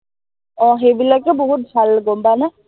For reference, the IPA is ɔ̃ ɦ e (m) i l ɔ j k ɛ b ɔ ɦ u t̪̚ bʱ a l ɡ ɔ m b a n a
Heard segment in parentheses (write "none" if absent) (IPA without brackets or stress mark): b